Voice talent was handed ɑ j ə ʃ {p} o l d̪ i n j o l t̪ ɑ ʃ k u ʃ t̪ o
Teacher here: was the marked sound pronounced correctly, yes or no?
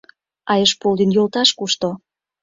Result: yes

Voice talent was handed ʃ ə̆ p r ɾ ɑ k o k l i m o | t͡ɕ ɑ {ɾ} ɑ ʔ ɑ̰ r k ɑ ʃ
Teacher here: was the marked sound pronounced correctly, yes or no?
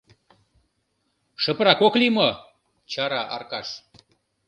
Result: yes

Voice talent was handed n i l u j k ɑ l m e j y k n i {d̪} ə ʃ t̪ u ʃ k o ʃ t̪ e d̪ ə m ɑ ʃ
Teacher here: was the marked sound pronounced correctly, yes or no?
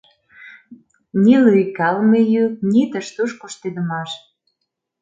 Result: no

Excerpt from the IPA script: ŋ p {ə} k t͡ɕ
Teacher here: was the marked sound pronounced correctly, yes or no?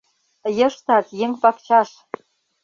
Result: no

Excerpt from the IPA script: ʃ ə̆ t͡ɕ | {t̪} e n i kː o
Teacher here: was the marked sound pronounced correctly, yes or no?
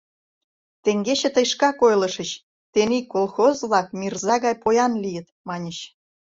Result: yes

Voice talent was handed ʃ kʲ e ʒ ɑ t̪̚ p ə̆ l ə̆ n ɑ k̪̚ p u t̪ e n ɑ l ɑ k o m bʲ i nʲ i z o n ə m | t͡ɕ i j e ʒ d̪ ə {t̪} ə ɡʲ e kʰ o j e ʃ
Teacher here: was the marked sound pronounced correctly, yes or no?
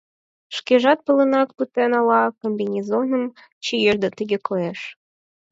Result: yes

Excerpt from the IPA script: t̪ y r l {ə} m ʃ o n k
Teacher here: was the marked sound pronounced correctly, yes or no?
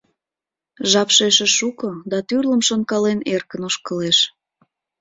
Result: yes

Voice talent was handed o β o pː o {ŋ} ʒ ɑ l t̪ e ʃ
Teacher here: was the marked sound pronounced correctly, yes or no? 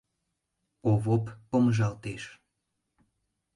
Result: no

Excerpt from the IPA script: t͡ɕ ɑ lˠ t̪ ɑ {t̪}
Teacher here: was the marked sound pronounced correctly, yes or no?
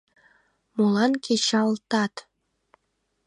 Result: yes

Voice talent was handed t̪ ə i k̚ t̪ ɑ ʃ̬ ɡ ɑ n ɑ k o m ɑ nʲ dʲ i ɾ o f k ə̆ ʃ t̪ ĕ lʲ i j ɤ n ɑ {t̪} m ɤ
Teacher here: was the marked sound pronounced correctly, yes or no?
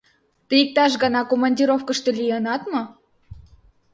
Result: yes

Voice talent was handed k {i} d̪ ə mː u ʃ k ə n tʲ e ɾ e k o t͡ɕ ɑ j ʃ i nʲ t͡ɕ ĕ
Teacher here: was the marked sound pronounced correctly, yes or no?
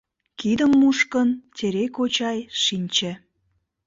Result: yes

